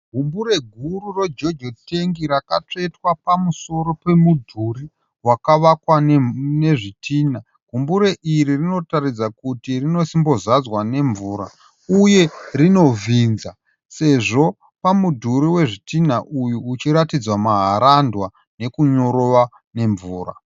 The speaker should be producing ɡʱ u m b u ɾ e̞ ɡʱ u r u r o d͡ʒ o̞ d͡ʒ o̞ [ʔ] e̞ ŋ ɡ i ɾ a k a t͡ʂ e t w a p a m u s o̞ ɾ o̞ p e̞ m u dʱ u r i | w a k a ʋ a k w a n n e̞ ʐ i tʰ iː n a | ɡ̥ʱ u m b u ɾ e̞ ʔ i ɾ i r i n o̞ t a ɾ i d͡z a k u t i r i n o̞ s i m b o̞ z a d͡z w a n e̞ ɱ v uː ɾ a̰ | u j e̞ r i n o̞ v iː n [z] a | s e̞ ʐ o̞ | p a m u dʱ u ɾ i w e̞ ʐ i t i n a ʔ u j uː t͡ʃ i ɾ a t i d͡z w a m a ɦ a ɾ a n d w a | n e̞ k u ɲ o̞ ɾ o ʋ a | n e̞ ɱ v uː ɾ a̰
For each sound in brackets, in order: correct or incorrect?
incorrect: t, correct

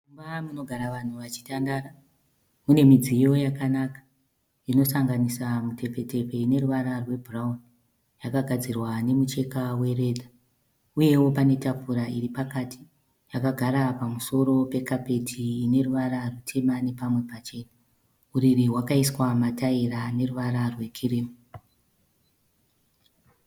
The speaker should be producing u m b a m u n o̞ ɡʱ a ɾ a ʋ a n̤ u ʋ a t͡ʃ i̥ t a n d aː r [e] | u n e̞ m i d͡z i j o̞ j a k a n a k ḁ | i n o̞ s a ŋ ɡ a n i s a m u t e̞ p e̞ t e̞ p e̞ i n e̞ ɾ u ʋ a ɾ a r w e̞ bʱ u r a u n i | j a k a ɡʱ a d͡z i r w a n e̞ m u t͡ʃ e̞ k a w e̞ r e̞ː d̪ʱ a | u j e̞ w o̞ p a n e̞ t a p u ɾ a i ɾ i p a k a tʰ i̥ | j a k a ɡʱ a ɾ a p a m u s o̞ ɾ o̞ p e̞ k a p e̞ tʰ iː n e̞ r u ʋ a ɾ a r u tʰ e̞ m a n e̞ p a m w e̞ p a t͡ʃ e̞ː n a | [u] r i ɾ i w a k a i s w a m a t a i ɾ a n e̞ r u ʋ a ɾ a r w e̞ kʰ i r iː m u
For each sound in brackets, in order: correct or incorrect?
incorrect: a, correct

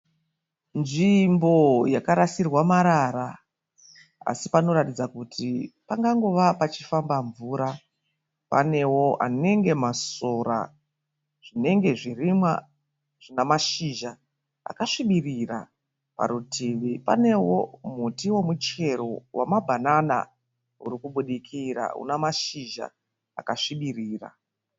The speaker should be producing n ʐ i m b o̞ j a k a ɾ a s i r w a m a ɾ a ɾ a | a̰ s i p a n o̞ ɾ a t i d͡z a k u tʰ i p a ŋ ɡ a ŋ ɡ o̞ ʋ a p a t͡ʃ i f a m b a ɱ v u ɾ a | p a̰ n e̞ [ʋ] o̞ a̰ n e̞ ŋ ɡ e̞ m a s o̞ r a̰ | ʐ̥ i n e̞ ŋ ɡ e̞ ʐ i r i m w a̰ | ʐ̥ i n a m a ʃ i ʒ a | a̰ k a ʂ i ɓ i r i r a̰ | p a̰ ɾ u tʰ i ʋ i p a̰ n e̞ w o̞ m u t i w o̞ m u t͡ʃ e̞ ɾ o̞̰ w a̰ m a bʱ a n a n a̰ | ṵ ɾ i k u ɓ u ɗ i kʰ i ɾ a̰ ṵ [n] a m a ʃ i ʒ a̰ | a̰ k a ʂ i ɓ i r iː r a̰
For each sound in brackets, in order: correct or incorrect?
incorrect: w, correct

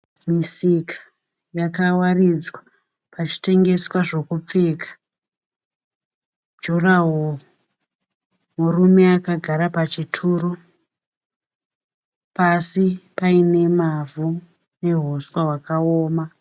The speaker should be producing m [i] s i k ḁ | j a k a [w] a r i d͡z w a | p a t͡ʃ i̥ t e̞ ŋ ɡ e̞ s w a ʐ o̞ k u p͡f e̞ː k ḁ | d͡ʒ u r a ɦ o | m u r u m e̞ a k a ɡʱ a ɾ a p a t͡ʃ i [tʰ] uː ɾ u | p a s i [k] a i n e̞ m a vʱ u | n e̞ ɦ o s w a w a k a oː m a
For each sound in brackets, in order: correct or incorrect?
correct, correct, correct, incorrect: p

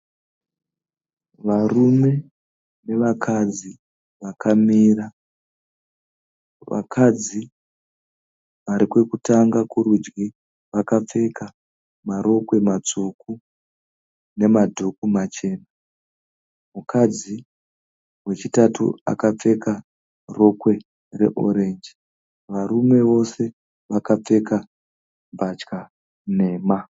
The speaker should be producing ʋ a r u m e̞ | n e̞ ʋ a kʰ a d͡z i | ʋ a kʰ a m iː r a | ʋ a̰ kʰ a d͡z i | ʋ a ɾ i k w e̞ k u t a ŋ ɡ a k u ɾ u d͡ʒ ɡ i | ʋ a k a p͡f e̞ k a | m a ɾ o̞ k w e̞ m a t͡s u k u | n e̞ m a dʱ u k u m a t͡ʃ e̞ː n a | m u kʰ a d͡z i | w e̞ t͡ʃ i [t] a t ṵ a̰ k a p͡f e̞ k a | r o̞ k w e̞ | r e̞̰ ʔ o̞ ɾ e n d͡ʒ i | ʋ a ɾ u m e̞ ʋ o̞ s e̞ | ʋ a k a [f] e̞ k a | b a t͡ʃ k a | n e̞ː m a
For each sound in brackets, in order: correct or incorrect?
correct, incorrect: p͡f

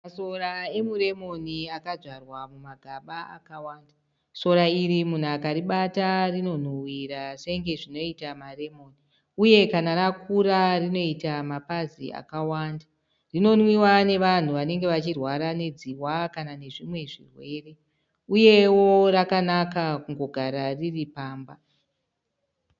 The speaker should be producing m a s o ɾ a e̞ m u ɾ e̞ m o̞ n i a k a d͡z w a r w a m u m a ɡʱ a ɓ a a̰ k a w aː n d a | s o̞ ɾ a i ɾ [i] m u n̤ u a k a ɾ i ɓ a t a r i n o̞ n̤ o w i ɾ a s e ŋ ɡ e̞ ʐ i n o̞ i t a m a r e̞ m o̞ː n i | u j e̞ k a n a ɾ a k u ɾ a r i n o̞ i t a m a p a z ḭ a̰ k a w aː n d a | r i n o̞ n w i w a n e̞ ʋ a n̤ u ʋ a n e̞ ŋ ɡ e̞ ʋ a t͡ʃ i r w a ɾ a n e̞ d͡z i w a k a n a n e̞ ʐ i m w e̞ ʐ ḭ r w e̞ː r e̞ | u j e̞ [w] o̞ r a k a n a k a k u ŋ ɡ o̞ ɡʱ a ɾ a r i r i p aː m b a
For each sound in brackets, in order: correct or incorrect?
correct, correct

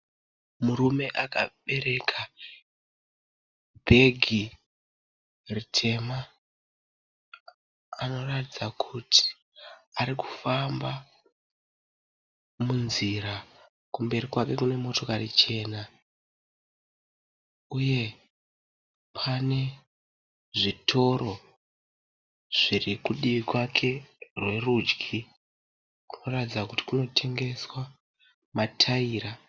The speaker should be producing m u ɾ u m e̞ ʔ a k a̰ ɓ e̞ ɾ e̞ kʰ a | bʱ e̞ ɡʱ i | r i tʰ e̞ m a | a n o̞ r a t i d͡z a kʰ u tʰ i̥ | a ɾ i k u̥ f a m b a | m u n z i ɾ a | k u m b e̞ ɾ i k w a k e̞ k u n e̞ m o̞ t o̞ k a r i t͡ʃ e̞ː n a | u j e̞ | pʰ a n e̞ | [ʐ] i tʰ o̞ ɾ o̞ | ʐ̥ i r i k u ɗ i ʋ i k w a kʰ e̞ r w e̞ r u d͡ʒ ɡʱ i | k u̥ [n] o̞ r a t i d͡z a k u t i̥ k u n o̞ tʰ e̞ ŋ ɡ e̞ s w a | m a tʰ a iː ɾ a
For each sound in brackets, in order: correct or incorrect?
correct, correct

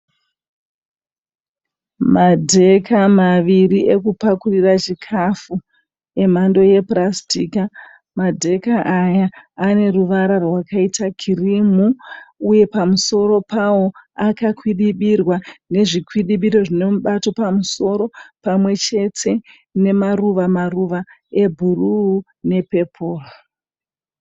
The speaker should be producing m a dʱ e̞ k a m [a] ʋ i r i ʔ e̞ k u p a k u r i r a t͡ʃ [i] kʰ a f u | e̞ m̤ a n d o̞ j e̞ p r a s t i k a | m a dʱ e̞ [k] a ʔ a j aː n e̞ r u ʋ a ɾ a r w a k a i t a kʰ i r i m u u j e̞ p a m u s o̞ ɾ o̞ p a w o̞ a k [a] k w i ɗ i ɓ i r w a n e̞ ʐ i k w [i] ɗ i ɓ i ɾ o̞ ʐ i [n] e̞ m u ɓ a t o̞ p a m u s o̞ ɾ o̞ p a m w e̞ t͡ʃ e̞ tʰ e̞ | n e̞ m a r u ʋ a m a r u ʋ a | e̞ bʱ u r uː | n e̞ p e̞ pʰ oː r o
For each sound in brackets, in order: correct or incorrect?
correct, correct, correct, correct, correct, correct

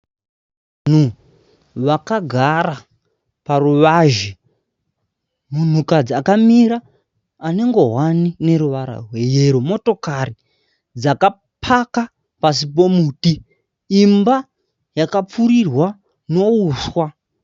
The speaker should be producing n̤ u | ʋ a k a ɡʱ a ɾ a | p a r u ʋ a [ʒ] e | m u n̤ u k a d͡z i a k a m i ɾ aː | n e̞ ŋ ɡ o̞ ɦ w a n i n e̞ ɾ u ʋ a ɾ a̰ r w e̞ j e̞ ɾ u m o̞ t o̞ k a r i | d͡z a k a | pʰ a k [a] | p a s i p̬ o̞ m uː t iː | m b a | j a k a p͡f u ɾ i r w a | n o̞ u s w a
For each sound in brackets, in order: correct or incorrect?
correct, correct

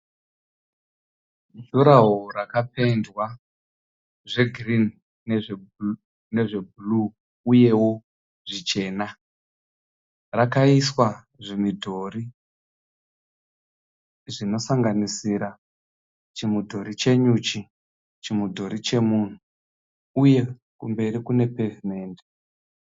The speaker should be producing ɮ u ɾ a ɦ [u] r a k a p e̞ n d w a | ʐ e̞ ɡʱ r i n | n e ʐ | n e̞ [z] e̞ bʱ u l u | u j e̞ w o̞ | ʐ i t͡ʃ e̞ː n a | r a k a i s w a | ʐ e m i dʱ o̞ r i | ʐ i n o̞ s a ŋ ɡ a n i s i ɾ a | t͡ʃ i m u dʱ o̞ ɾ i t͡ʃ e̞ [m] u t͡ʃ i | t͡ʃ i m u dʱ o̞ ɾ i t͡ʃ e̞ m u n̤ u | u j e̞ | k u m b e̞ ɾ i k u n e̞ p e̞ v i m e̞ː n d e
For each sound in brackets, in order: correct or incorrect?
incorrect: o, incorrect: ʐ, incorrect: ɲ

